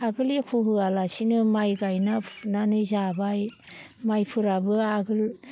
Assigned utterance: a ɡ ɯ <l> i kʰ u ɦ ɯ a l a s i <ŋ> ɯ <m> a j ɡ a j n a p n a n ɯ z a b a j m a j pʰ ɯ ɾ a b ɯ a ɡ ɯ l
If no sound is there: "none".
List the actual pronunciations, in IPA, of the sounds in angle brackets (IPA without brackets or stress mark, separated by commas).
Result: l, n, m